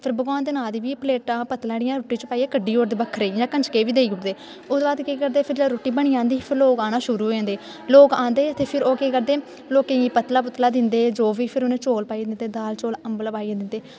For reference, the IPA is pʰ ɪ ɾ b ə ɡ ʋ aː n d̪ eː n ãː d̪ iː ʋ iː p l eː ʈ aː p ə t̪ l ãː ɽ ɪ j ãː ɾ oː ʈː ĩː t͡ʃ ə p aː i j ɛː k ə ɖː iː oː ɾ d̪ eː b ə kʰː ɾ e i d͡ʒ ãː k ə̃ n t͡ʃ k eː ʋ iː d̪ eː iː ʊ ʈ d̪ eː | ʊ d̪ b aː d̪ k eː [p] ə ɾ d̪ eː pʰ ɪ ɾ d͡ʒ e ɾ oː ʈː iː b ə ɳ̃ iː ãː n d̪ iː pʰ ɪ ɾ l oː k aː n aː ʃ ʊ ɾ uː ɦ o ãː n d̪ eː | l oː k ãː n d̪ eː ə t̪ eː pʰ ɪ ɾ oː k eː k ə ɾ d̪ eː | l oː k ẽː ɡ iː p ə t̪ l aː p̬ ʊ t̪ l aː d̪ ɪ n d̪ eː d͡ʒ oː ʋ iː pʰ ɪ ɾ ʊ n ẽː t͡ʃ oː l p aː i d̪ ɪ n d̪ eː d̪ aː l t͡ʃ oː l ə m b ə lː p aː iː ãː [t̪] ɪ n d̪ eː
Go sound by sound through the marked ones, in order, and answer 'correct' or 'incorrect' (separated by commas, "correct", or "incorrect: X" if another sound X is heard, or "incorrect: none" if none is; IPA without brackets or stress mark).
incorrect: k, incorrect: d̪